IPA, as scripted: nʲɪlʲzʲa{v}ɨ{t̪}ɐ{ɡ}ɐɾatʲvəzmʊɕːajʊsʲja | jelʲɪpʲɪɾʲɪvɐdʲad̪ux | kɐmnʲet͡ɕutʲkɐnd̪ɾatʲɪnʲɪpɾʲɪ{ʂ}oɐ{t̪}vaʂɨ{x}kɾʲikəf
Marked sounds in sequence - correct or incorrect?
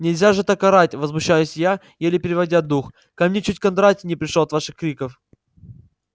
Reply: incorrect: ʐ, correct, incorrect: k, correct, correct, correct

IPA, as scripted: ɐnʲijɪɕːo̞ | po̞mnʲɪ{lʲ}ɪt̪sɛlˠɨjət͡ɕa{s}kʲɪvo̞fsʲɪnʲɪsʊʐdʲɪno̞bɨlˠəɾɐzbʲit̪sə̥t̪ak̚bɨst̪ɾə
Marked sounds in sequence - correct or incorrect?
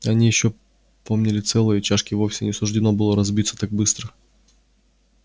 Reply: correct, incorrect: ʂ

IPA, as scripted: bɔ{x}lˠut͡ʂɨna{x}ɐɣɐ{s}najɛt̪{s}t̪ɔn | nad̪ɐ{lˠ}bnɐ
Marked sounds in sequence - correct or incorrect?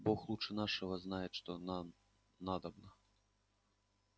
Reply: correct, incorrect: ʂ, incorrect: z, incorrect: ʂ, incorrect: none

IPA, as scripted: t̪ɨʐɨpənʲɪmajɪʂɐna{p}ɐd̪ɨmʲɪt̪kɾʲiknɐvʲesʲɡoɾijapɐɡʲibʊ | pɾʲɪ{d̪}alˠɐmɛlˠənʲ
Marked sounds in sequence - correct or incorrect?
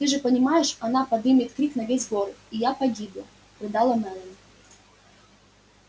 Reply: correct, correct

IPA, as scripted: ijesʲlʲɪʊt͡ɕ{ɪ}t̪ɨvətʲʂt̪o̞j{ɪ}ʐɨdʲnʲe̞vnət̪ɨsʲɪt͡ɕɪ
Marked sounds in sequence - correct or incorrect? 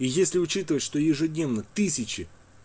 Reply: incorrect: i, correct

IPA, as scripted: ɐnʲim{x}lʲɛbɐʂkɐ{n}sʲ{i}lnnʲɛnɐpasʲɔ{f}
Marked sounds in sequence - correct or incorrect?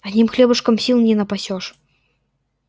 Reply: correct, incorrect: m, correct, incorrect: ʂ

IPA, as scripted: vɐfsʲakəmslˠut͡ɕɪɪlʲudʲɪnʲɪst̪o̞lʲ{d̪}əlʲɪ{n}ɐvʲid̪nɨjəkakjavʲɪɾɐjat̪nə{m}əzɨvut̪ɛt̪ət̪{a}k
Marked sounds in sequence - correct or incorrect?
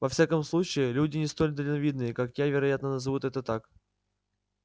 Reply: correct, correct, incorrect: n, correct

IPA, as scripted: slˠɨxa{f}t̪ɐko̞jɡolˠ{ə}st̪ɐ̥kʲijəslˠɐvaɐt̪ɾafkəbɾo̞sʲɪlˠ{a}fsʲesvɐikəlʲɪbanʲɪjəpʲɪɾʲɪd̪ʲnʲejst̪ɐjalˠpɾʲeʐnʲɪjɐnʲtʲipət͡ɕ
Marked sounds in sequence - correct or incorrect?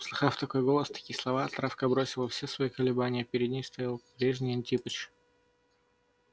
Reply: correct, correct, incorrect: ə

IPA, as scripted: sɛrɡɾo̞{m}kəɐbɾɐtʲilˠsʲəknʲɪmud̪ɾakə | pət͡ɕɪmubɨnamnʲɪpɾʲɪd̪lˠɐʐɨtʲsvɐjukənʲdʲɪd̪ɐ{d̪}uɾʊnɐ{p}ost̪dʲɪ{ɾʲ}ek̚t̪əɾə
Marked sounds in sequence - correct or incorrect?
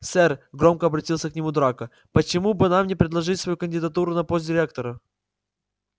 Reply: correct, incorrect: t̪, correct, correct

